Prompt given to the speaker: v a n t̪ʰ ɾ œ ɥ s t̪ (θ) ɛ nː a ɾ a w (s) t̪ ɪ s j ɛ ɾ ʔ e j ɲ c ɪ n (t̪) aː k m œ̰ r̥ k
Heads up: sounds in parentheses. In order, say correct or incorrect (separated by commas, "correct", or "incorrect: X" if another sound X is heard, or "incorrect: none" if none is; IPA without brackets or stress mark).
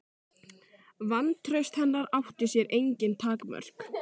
incorrect: h, incorrect: h, incorrect: t̪ʰ